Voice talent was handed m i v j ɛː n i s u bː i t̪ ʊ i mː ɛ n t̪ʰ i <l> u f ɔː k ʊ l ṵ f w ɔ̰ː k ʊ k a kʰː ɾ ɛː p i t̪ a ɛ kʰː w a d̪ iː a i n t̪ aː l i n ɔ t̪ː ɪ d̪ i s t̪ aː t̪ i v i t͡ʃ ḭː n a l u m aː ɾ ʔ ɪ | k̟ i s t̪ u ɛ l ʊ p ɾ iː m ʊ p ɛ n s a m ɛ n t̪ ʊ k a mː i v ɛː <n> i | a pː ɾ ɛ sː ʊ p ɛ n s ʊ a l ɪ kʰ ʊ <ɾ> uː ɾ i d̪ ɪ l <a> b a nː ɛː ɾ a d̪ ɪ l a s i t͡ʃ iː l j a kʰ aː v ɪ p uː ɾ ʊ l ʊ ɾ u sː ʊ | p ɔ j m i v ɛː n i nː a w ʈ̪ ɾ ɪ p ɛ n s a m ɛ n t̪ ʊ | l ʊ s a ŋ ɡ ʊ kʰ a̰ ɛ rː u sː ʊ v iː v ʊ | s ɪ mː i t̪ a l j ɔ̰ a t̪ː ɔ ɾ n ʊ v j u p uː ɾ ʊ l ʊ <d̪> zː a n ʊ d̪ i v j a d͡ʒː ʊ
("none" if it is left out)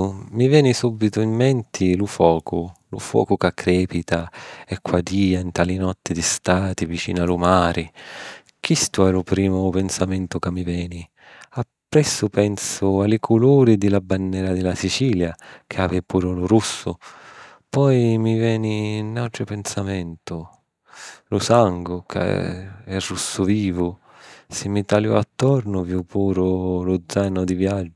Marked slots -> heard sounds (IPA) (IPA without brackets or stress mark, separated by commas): l, n, l, a, d̪